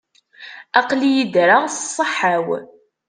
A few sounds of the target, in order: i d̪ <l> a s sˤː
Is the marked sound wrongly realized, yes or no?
yes